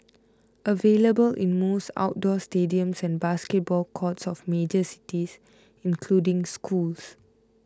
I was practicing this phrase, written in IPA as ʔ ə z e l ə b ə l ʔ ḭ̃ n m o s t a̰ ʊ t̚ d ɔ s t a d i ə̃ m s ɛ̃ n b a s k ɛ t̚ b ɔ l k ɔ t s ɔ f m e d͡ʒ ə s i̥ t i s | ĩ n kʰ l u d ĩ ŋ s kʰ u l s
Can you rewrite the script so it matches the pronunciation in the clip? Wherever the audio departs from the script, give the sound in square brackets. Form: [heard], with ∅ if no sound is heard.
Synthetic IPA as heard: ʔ ə [v] e l ə b ə l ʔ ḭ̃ n m o s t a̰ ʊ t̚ d ɔ s t [e] d i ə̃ m s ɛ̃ n b a s k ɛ t̚ b ɔ l [kʰ] ɔ t s ɔ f m e d͡ʒ ə s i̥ t i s | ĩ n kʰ l u d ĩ ŋ s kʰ u l s

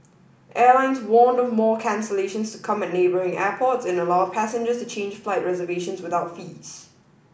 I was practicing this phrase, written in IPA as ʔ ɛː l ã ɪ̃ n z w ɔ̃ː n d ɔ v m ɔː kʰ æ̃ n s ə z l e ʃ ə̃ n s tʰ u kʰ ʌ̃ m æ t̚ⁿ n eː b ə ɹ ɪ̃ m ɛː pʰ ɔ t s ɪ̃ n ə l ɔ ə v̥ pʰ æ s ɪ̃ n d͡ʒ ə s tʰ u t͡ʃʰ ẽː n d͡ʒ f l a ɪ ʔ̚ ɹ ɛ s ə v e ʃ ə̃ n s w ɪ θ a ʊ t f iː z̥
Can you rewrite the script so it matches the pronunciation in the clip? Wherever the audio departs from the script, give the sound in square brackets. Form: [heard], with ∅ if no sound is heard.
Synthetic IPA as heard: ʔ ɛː l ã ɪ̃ n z w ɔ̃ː n d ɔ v m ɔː kʰ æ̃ n s ə [∅] l e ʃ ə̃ n s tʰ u kʰ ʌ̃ m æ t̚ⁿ n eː b ə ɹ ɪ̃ [ŋ] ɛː pʰ ɔ t s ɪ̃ n ə l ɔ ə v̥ pʰ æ s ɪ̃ n d͡ʒ ə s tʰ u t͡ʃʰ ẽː n d͡ʒ f l a ɪ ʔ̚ ɹ ɛ [z] ə v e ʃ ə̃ n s w ɪ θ a ʊ t f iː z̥

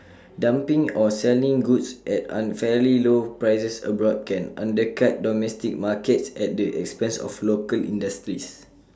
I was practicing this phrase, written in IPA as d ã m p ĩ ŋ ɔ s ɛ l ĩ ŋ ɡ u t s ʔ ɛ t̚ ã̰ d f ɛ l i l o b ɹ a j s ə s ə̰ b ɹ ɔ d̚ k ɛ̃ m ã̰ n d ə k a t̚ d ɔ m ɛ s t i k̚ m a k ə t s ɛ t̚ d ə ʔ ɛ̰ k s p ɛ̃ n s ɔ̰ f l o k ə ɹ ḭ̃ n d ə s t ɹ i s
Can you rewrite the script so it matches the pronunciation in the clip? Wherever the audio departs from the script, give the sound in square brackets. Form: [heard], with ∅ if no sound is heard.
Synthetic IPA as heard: d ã m p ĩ ŋ ɔ s ɛ l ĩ ŋ ɡ u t s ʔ ɛ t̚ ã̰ [n] f ɛ l i l o [p] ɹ a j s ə s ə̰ b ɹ ɔ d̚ k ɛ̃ [n] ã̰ n d ə k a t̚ d ɔ m ɛ s t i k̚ m a k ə t s ɛ t̚ d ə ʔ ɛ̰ k s p ɛ̃ n s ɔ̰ f l o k ə [l] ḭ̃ n d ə s t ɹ i s

